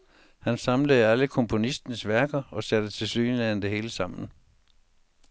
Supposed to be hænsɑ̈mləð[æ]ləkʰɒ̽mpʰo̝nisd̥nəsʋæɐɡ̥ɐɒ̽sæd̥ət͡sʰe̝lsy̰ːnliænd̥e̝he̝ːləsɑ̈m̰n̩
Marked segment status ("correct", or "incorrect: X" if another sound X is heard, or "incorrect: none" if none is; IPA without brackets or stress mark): correct